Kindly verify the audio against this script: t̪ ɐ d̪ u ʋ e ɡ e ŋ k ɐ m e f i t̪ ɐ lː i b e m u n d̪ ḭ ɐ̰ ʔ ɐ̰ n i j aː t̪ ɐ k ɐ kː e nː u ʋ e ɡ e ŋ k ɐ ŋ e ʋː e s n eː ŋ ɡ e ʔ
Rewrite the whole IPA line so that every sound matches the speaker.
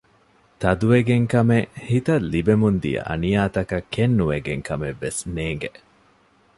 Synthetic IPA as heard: t̪ ɐ d̪ u ʋ e ɡ e ŋ k ɐ m e h i t̪ ɐ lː i b e m u n d̪ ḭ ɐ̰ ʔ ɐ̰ n i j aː t̪ ɐ k ɐ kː e nː u ʋ e ɡ e ŋ k ɐ m e ʋː e s n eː ŋ ɡ e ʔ